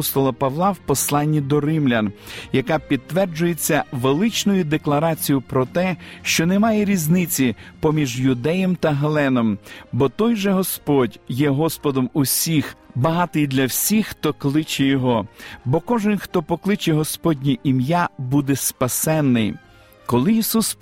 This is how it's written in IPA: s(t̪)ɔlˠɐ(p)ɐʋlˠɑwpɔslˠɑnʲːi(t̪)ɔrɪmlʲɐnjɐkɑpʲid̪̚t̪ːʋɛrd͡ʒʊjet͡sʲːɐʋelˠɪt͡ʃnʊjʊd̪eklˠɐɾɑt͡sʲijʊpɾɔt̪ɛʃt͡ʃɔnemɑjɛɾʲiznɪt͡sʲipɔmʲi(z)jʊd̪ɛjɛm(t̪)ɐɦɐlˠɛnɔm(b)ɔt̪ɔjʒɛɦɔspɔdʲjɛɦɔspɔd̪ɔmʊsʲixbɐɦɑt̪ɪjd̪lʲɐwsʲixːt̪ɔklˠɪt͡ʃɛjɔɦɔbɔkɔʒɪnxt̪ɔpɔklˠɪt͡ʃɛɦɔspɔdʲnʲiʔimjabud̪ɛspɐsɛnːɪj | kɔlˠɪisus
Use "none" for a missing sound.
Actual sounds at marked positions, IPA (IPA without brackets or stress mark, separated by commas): t̪, p, d̪, ʒ, t̪, b